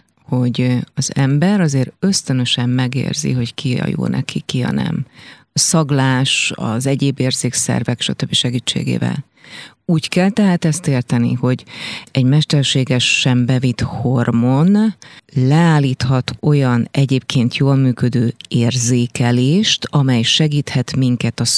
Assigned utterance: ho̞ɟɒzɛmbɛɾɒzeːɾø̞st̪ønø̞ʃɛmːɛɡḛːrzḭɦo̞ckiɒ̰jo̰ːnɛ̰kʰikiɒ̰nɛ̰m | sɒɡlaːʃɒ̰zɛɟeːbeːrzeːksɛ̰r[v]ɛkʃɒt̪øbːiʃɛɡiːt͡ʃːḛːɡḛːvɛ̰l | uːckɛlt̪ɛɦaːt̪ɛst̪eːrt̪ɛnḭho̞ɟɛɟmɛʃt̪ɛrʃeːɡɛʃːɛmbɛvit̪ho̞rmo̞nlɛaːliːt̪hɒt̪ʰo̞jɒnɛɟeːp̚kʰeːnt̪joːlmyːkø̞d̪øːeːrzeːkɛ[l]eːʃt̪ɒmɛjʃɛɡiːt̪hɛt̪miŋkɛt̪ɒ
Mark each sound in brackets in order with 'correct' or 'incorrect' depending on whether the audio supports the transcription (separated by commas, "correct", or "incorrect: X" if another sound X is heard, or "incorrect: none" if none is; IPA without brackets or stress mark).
correct, correct